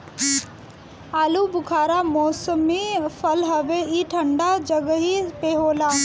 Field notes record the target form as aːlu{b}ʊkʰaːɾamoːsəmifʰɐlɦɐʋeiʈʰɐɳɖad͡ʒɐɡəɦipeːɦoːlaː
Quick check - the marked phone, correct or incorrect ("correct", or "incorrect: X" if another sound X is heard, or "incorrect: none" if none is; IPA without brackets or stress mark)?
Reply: correct